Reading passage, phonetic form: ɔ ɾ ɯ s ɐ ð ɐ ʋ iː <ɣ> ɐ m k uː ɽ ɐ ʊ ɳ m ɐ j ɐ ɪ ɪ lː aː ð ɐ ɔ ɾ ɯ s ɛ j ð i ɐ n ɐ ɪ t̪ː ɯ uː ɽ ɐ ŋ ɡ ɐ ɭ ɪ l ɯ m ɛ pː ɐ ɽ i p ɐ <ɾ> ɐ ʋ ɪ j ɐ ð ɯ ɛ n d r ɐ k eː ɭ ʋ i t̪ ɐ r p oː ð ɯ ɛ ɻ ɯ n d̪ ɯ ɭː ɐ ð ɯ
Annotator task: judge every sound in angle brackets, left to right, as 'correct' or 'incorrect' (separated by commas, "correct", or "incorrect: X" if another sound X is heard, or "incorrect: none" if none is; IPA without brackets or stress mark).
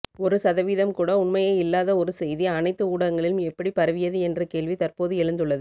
incorrect: ð, correct